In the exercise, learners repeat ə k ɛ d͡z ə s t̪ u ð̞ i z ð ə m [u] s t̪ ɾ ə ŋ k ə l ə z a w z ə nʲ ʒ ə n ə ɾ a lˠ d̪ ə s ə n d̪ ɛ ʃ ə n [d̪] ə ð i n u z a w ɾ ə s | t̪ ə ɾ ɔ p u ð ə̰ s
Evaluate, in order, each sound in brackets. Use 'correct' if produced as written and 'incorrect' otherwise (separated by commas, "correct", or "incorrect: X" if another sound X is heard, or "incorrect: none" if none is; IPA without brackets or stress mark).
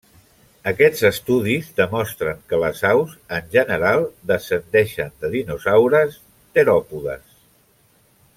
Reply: incorrect: ɔ, correct